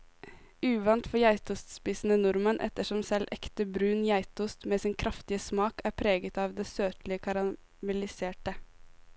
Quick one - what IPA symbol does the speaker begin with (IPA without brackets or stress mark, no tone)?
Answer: ʉː